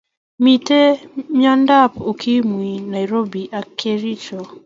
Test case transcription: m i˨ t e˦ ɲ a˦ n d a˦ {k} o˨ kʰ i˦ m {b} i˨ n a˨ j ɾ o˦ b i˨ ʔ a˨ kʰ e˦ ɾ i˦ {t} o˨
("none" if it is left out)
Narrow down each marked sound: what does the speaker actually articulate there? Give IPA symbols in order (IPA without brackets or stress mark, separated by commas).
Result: p, w, t͡ʃ